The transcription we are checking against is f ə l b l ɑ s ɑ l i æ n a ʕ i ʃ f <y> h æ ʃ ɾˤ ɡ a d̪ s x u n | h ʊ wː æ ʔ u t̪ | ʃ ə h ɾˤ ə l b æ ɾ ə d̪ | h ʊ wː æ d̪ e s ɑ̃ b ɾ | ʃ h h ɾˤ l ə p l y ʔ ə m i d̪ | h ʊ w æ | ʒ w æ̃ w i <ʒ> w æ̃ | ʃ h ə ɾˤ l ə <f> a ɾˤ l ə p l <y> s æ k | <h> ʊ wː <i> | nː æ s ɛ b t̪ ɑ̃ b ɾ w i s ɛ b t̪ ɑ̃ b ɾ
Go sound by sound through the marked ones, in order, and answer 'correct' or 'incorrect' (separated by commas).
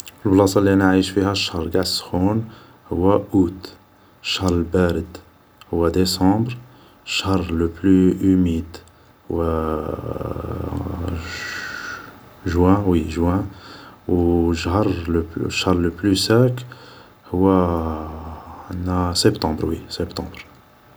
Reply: incorrect, correct, incorrect, correct, correct, incorrect